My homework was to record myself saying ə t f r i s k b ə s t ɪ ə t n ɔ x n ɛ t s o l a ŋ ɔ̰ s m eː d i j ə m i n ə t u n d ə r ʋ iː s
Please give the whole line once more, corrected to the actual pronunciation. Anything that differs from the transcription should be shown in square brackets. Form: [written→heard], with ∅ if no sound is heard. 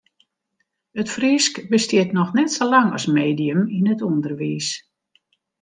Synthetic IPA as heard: ə t f r i s k b ə s t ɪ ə t n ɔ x n ɛ t s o l a ŋ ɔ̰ s m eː d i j ə m i n ə t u n d ə r ʋ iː s